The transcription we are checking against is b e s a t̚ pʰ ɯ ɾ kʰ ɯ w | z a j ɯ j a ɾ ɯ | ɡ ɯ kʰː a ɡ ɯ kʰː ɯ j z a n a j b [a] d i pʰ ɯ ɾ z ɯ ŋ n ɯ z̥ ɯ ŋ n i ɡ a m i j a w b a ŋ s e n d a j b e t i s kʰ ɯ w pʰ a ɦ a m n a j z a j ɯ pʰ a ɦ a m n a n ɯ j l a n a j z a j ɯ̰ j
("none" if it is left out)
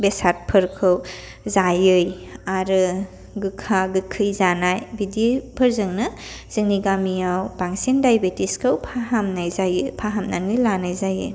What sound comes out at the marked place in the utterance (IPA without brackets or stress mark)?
i